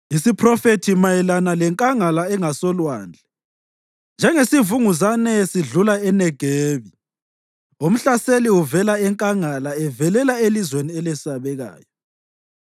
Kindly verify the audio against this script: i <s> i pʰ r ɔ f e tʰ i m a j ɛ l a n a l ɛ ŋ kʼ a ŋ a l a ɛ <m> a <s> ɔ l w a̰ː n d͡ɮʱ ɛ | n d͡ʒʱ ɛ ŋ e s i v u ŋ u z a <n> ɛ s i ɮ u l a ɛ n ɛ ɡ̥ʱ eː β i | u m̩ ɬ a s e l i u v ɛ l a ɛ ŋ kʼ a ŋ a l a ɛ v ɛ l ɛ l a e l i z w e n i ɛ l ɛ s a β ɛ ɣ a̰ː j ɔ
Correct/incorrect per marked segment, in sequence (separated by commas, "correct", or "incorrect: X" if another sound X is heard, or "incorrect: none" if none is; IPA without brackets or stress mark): correct, incorrect: ŋ, correct, correct